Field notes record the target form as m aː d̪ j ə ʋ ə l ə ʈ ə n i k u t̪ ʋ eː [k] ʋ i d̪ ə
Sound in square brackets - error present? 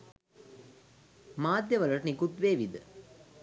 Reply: yes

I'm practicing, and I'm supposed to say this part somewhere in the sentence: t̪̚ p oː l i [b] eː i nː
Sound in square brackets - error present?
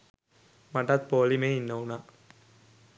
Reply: yes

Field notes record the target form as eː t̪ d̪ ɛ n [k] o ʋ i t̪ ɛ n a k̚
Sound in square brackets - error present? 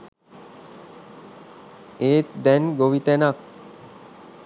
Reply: yes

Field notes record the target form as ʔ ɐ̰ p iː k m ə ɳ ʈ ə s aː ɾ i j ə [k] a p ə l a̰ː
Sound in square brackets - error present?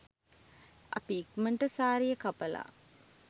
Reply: no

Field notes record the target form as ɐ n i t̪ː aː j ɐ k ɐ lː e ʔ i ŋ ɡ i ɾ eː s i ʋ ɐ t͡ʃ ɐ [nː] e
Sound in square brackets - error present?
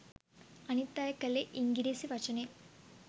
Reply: yes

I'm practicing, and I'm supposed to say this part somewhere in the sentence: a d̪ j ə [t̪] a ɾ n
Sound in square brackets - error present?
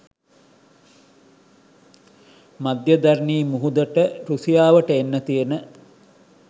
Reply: yes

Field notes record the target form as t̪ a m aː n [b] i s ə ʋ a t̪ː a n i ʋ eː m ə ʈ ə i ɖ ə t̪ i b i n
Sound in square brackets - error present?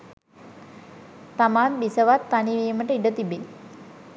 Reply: no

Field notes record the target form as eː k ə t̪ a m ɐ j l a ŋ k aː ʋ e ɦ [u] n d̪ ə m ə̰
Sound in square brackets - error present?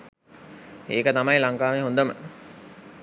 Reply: yes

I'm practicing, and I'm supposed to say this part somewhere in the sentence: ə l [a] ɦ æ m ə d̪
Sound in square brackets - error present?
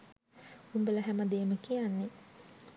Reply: yes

